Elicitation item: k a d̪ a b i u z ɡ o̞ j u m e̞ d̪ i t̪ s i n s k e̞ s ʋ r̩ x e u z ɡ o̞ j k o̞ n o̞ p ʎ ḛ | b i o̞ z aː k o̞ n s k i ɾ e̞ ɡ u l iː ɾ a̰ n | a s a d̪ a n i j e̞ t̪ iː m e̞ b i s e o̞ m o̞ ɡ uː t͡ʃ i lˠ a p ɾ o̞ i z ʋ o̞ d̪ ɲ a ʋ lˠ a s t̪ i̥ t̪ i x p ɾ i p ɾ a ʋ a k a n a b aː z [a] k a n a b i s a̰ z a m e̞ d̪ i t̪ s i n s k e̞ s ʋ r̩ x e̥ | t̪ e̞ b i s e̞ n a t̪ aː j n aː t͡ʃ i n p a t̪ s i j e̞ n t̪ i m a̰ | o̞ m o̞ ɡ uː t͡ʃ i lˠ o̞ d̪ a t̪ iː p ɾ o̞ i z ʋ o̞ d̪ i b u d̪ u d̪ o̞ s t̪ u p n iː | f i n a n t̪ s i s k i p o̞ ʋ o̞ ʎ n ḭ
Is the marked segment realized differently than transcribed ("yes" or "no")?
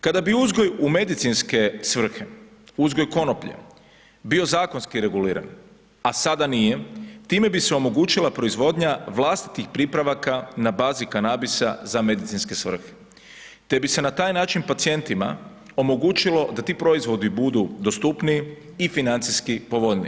yes